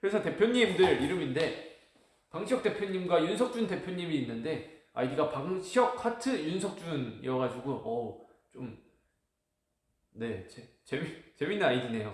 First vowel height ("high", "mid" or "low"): high